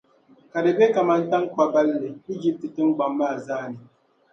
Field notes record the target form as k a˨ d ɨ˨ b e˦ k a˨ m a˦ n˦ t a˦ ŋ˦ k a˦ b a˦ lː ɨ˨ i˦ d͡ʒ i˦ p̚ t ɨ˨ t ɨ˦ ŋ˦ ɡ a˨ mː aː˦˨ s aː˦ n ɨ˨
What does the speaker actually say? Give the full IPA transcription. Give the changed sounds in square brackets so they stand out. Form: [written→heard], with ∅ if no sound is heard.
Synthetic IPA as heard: k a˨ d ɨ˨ b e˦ k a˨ m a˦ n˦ t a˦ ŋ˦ k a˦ b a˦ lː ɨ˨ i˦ d͡ʒ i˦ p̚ t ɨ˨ t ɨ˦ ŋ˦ [ɡ→ɡ͡b] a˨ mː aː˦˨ [s→z] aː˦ n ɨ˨